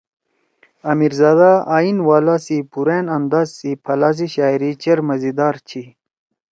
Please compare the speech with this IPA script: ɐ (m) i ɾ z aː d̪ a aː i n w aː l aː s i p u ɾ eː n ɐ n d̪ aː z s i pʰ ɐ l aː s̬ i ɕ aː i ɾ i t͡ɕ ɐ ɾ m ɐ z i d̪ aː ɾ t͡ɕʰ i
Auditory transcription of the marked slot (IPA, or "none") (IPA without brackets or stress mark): m